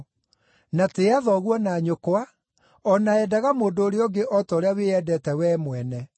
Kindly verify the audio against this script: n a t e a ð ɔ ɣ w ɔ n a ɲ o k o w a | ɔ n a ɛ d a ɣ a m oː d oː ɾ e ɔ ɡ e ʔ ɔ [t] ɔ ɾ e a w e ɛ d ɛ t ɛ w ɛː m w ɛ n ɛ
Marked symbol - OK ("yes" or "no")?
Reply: yes